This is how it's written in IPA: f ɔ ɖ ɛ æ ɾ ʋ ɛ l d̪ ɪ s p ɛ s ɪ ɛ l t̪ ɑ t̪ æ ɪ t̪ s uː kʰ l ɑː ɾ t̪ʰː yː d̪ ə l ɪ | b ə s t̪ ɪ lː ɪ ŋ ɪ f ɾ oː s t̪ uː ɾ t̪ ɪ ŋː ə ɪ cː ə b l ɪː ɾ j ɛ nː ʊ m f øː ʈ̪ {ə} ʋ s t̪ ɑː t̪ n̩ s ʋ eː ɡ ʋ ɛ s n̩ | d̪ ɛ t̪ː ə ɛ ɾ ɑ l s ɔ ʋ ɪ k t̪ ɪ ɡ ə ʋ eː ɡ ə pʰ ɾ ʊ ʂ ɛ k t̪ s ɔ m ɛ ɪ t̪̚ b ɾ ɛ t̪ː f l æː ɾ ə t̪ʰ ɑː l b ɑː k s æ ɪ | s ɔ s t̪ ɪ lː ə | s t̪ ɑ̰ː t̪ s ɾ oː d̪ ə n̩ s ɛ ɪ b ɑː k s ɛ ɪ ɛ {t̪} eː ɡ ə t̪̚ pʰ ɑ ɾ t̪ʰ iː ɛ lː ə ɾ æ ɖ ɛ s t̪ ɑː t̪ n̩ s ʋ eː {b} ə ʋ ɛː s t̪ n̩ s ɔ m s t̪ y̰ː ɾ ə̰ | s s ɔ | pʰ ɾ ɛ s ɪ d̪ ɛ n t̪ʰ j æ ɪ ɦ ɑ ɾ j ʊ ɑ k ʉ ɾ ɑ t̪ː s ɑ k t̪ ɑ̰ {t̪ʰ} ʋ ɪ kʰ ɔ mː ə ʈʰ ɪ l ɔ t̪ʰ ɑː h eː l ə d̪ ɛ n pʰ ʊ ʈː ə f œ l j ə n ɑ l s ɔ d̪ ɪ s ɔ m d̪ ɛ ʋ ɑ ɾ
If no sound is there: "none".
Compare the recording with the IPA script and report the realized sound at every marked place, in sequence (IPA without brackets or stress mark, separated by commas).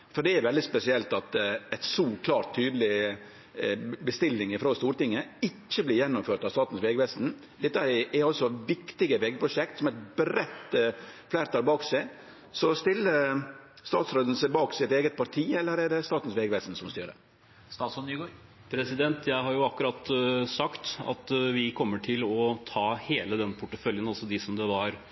ɑ, t̪, ɡ, t̪